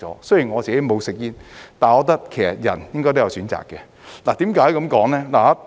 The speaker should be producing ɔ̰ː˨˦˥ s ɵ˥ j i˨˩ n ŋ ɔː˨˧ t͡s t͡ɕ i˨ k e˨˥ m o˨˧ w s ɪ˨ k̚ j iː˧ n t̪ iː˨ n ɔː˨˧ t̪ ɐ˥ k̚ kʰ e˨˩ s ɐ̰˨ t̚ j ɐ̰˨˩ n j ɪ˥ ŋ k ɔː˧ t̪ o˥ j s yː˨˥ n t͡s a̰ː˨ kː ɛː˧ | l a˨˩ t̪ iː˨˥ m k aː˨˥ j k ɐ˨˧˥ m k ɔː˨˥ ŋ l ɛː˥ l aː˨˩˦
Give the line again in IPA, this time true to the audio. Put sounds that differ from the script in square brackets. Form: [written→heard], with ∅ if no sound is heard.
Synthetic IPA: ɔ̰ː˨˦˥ s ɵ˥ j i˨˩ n ŋ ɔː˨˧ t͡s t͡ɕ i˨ k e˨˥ m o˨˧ w s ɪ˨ k̚ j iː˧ n t̪ [iː˨→aː˨] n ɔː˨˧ t̪ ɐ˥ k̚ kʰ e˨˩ s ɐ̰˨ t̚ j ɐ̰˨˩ n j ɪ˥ ŋ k [ɔː˧→ɔː˥] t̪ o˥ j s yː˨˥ n t͡s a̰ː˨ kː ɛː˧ | l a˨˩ t̪ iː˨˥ m k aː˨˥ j k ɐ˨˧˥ m k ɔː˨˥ ŋ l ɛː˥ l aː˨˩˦